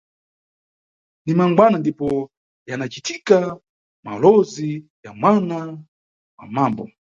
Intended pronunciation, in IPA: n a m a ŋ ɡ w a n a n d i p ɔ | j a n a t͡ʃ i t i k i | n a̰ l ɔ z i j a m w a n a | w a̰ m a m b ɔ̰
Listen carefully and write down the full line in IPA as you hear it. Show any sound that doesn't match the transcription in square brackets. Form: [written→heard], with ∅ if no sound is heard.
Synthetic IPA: n [a→i] m a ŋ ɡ w a n a n d i p ɔ | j a n a t͡ʃ i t i k [i→a] | [n→m] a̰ l ɔ z i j a m w a n a | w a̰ m a m b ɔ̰

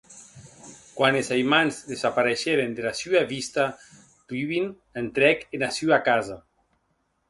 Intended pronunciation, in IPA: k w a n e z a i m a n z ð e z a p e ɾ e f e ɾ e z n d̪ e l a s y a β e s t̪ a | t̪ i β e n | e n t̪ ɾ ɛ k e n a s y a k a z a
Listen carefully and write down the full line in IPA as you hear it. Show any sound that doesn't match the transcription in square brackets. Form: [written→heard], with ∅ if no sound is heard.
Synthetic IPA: k w a n e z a [i→j] m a n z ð e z a p [e→a] ɾ e [f→ʃ] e ɾ e [z→∅] n d̪ e l a s y a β [e→i] s t̪ a | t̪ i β [e→i] n | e n t̪ ɾ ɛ k e n a s y a k a z a

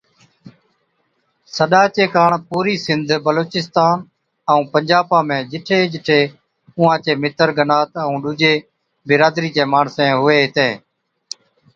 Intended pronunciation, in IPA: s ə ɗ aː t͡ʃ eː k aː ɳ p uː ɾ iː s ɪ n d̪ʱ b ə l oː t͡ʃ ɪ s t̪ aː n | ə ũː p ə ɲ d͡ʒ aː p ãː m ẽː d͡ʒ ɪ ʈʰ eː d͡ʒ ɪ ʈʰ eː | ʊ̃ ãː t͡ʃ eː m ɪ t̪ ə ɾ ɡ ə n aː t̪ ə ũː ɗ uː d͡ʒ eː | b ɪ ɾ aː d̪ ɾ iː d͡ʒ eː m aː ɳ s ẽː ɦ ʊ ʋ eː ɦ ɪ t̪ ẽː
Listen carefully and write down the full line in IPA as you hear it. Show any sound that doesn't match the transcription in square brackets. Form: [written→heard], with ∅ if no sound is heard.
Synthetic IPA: s ə ɗ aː t͡ʃ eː k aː ɳ p uː ɾ iː s ɪ n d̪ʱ b ə l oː t͡ʃ ɪ s t̪ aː n | ə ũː p ə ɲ d͡ʒ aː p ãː m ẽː d͡ʒ ɪ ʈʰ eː d͡ʒ ɪ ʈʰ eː | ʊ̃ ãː t͡ʃ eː m ɪ t̪ ə ɾ ɡ ə n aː t̪ ə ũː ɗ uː d͡ʒ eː | b ɪ ɾ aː d̪ ɾ iː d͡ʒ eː m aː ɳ s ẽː ɦ ʊ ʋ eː ɦ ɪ t̪ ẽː

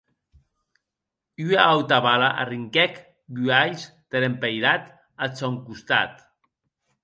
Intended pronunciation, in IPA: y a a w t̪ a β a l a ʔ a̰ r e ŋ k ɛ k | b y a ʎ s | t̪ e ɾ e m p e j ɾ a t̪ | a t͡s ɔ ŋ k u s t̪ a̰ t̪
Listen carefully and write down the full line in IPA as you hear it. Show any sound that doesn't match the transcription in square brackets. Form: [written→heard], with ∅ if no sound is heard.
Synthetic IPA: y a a w t̪ a β a l a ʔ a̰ r [e→i] ŋ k ɛ k | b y a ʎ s | t̪ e ɾ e m p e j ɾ a t̪ | a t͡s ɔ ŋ k u s t̪ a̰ t̪

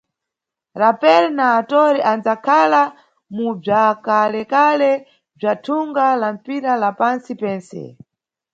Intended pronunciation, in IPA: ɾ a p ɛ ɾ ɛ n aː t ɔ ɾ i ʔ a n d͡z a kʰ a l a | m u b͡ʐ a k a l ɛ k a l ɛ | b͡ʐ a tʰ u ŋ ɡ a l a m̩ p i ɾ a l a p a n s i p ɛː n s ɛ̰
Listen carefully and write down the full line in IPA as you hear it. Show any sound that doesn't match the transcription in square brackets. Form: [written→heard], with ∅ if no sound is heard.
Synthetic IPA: ɾ a p ɛ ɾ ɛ n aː t ɔ ɾ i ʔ a n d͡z a kʰ a l a | m u b͡ʐ a k a l ɛ k a l ɛ | b͡ʐ a tʰ u ŋ ɡ a l a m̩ p i ɾ a l a p a n s i p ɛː n s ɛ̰

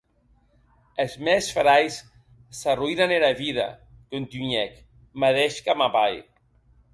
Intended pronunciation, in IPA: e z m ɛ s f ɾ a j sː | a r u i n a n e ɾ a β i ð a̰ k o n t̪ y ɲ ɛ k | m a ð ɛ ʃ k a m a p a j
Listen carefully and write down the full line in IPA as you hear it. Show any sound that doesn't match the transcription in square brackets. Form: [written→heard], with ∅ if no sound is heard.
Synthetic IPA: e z m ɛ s f ɾ a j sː | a r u i n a n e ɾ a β i ð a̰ k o n t̪ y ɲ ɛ k | m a ð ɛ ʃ k a m a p a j

